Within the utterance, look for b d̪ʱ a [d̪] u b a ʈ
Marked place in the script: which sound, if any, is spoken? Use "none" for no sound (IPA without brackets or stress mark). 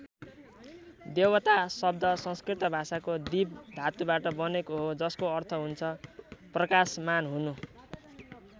t̪